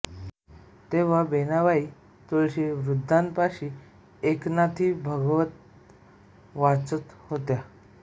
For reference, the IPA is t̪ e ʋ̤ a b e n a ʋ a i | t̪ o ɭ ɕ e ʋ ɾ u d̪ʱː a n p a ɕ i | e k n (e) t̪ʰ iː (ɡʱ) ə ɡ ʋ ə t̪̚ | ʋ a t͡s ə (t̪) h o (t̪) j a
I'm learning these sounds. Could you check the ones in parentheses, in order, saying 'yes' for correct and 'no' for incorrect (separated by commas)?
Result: no, no, yes, yes